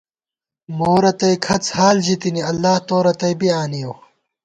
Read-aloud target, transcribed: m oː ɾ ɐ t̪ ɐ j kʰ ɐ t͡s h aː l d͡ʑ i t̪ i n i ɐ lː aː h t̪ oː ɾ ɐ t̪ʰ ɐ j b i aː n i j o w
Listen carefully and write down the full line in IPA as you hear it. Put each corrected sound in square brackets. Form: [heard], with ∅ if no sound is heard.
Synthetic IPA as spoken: m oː ɾ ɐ t̪ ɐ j kʰ ɐ t͡s h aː l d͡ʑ i t̪ i n i ɐ lː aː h t̪ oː ɾ ɐ [t̪] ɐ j b i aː n i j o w